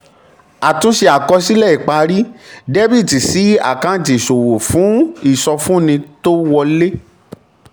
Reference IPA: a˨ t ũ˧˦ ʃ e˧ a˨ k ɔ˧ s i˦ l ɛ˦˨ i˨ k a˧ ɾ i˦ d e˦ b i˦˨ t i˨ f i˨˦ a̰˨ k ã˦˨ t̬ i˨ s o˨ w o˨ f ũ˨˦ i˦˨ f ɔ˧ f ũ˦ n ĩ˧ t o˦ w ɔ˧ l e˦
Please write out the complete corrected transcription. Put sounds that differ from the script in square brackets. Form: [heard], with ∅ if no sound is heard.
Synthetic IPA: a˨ t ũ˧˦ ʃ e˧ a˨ k ɔ˧ s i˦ l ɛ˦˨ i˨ [k͡p] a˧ ɾ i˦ d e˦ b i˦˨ t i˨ [s] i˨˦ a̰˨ k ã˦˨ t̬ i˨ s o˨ w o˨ f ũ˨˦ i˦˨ [s] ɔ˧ f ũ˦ n ĩ˧ t o˦ w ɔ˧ l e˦